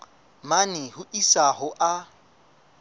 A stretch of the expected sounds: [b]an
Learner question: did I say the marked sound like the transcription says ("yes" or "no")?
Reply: no